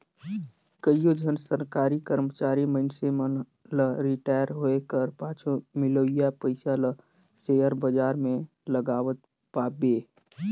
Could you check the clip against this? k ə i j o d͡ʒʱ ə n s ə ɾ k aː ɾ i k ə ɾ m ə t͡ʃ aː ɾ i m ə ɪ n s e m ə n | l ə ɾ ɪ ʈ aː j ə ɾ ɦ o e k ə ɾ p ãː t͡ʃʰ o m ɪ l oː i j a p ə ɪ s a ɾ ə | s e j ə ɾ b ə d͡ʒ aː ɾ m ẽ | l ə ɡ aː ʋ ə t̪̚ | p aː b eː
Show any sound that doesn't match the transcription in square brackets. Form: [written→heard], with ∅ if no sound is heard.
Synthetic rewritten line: k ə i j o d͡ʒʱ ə n s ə ɾ k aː ɾ i k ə ɾ m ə t͡ʃ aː ɾ i m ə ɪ n s e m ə n | l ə ɾ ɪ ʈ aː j ə ɾ ɦ o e k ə ɾ p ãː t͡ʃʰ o m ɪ l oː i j a p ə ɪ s a [ɾ→l] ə | s e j ə ɾ b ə d͡ʒ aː ɾ m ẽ | l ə ɡ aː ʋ ə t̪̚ | p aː b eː